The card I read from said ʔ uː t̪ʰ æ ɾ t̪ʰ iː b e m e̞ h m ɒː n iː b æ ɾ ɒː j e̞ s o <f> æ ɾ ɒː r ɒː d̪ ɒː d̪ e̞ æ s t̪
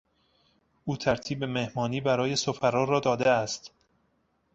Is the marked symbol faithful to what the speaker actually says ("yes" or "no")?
yes